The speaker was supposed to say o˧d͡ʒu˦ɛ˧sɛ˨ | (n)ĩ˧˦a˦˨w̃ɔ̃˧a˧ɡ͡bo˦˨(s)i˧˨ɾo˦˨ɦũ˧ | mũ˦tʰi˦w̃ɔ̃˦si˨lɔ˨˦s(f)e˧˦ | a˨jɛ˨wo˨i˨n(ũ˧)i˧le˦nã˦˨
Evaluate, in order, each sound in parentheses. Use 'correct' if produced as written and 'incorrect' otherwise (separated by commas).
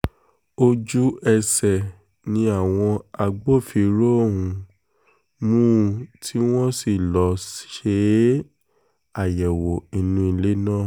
correct, incorrect, incorrect, correct